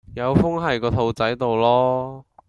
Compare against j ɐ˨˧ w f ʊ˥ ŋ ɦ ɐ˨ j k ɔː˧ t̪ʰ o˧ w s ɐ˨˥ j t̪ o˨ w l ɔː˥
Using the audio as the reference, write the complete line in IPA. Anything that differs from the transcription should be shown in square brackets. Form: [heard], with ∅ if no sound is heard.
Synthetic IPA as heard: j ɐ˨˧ w f ʊ˥ ŋ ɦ ɐ˨ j k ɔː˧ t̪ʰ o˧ w [t͡s] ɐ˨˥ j t̪ o˨ w l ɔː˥